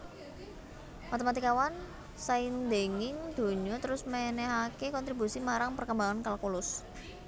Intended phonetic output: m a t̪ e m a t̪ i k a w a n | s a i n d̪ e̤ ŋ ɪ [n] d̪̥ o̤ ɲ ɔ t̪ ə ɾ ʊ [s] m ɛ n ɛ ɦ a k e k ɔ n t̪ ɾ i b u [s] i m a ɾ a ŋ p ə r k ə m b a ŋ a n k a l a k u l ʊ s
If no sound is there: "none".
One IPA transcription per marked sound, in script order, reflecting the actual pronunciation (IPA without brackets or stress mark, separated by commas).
ŋ, s, s